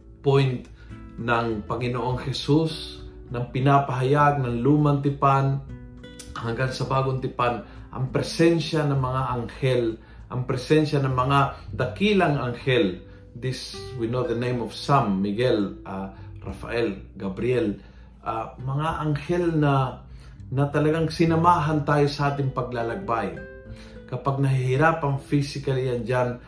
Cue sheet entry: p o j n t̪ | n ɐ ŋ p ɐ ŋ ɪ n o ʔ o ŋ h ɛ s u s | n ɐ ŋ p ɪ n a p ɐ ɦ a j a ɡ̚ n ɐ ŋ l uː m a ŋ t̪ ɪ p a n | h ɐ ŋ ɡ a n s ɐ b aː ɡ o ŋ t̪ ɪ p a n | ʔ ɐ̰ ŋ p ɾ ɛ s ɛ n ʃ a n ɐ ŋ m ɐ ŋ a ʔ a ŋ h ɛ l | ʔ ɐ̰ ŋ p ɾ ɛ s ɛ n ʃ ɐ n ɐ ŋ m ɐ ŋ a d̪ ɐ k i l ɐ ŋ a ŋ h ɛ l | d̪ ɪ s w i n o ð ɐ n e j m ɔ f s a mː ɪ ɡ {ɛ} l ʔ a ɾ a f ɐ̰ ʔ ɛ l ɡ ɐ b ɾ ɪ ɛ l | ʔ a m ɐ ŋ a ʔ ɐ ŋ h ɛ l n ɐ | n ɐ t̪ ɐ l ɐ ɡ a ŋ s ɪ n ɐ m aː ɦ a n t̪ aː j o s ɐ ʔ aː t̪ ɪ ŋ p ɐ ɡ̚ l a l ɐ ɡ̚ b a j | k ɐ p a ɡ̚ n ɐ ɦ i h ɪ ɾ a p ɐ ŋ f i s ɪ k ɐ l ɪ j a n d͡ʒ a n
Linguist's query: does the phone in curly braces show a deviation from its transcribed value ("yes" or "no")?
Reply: no